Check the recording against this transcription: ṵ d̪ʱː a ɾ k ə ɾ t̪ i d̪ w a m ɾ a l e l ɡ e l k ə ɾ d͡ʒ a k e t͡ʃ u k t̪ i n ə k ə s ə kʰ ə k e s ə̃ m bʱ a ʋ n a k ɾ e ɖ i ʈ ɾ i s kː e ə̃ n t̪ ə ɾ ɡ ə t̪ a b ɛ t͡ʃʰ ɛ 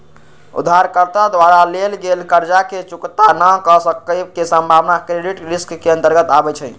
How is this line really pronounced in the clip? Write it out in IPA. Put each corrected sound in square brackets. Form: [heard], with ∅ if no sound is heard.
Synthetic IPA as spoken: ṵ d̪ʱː a ɾ k ə ɾ t̪ [a] d̪ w a [∅] ɾ a l e l ɡ e l k ə ɾ d͡ʒ a k e t͡ʃ u k t̪ [a] n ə k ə s ə [k] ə k e s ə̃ m bʱ a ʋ n a k ɾ e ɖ i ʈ ɾ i s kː e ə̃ n t̪ ə ɾ ɡ ə t̪ a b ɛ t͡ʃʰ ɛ